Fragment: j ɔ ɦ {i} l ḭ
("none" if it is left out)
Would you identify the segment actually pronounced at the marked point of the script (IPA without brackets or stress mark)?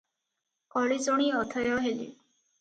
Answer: e